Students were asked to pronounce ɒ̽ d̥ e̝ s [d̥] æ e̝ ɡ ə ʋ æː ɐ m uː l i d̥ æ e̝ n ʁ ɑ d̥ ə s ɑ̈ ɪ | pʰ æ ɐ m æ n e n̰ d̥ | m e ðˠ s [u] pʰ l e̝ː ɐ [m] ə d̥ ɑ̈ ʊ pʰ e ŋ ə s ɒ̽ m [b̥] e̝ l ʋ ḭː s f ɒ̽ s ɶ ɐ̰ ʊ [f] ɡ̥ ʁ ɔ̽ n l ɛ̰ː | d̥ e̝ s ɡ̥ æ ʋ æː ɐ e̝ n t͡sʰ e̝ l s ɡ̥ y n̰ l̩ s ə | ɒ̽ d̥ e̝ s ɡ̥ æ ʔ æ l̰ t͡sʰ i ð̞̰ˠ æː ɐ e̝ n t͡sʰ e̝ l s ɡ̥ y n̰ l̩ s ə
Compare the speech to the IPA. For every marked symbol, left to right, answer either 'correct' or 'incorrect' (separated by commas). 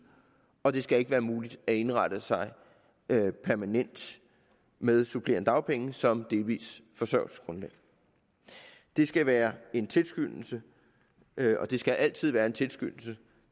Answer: incorrect, correct, incorrect, incorrect, incorrect